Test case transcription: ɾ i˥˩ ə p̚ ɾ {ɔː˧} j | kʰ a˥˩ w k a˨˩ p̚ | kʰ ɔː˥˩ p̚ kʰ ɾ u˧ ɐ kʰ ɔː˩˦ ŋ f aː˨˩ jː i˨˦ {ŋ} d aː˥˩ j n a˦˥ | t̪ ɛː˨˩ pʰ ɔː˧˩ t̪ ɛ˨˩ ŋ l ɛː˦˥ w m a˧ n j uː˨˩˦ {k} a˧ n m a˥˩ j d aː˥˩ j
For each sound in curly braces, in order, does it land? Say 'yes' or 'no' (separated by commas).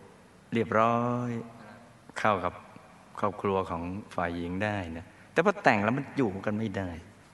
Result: no, yes, yes